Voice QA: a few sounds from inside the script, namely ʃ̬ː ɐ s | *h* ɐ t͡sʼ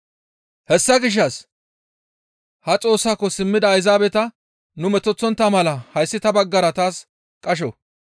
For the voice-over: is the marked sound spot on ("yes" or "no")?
yes